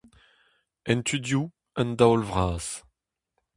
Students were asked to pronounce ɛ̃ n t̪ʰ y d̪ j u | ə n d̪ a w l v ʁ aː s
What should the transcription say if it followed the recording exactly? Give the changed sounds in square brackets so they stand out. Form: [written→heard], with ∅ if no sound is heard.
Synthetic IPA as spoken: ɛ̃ n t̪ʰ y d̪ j u | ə n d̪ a w l v ʁ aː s